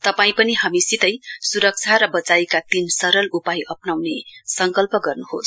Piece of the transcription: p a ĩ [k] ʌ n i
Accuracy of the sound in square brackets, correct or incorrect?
incorrect